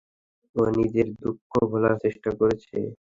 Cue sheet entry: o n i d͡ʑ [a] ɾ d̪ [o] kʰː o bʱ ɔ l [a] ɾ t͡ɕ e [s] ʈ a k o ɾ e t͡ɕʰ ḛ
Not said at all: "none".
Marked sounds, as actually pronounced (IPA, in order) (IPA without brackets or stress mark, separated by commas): e, u, a, ʃ